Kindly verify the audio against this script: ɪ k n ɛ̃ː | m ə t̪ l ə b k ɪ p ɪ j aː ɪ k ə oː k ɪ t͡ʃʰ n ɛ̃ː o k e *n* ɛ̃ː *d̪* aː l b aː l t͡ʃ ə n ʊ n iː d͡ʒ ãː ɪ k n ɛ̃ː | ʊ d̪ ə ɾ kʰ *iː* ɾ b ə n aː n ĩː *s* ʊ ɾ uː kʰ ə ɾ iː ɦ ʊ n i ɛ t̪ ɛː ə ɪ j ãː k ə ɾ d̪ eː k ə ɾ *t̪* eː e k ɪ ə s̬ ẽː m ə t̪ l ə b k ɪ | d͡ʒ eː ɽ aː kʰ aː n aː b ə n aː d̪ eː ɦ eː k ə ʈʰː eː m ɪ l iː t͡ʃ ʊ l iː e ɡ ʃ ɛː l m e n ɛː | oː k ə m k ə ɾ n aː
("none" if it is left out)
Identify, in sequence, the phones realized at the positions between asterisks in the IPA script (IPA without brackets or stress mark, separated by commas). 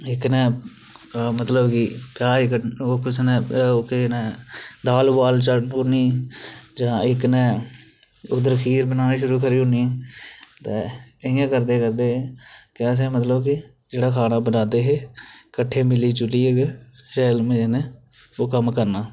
n, d̪, iː, ʃ, d̪